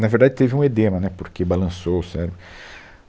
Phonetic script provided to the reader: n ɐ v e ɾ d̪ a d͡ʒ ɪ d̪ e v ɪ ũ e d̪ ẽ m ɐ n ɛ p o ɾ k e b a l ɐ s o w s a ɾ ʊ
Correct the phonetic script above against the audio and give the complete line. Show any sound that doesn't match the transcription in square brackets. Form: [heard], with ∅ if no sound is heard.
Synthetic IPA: n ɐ v e ɾ d̪ a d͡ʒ ɪ [t̪] e v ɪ ũ e d̪ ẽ m ɐ n ɛ p o ɾ k e b a l [ɐ̃] s o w s [ɛ] ɾ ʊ